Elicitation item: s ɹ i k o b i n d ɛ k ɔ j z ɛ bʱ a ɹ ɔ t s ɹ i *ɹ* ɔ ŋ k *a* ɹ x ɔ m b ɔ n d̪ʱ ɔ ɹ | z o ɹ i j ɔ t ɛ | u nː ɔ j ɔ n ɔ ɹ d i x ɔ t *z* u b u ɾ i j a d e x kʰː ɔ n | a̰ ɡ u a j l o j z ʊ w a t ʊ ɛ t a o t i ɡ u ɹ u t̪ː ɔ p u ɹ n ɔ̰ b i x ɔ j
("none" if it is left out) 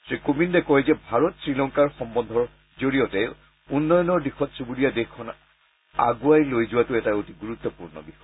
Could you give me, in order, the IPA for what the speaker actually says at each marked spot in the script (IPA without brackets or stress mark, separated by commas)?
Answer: l, a, s